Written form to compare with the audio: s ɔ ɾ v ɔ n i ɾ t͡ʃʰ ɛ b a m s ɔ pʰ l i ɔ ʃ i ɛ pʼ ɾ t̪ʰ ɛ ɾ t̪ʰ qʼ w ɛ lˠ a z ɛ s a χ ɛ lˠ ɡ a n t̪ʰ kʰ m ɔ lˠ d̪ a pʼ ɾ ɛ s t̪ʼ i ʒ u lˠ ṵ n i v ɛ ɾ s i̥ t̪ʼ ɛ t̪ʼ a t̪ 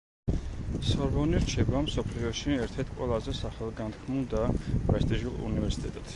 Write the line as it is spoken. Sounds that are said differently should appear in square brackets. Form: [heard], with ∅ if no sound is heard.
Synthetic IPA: s ɔ ɾ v ɔ n i ɾ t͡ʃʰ ɛ b a m s ɔ pʰ l i ɔ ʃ i ɛ [∅] ɾ t̪ʰ ɛ ɾ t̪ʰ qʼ w ɛ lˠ a z ɛ s a χ ɛ lˠ ɡ a n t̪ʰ kʰ m [u] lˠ d̪ a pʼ ɾ ɛ s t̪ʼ i ʒ u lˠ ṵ n i v ɛ ɾ s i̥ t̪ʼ ɛ t̪ʼ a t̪